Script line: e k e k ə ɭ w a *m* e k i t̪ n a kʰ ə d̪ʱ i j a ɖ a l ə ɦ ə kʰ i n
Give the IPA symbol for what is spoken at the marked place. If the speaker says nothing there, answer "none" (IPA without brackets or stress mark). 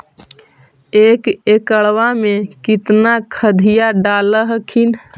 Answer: m